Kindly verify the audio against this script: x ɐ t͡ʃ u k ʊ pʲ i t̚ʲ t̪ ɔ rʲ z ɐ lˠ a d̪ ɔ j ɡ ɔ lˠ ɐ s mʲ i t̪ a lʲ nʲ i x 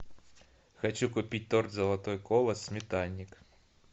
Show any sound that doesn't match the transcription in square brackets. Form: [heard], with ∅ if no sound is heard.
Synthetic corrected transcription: x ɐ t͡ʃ u k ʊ pʲ i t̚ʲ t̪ ɔ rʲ z ɐ lˠ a [t̪] ɔ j [k] ɔ lˠ ɐ s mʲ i t̪ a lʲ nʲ i [k]